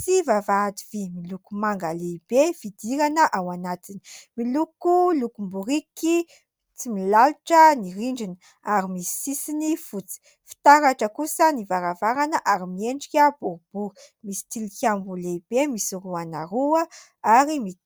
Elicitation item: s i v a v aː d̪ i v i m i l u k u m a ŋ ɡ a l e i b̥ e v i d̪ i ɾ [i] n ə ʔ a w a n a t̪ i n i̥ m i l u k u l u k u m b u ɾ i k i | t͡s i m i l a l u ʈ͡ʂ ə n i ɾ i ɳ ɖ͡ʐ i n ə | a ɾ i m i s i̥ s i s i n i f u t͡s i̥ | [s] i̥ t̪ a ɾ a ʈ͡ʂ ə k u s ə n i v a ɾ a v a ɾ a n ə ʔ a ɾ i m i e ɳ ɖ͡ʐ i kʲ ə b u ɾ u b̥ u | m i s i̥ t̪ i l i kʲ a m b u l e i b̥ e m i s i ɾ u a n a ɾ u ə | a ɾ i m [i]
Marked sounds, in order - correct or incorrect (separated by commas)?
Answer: incorrect, incorrect, correct